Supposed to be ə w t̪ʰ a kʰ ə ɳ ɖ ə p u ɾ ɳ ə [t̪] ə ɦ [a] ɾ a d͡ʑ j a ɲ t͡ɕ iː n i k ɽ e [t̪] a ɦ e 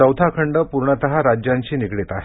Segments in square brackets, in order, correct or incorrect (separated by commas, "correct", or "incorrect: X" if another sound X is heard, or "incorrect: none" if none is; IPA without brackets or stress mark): correct, correct, correct